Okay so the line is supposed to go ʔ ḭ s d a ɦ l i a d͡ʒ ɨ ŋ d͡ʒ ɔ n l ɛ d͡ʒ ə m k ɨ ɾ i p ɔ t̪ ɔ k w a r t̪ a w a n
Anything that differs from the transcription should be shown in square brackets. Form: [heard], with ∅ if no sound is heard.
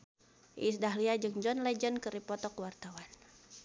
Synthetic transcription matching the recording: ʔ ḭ s d a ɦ l i a d͡ʒ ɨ ŋ d͡ʒ ɔ n l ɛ d͡ʒ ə [n] k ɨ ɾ i p ɔ t̪ ɔ k w a r t̪ a w a n